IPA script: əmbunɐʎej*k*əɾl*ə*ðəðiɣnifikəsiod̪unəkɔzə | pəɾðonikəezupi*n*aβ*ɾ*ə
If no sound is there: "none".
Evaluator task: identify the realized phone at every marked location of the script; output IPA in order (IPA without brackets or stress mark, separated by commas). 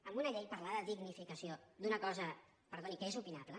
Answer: p, a, n, l